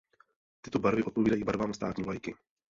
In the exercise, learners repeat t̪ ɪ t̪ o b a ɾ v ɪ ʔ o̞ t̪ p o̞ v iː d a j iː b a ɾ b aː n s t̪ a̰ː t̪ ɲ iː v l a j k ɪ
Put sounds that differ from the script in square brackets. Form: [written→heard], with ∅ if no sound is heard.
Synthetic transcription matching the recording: t̪ ɪ t̪ o b a ɾ v ɪ ʔ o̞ t̪ p o̞ v iː d a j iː b a ɾ [b→v] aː [n→m] s t̪ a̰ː t̪ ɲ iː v l a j k ɪ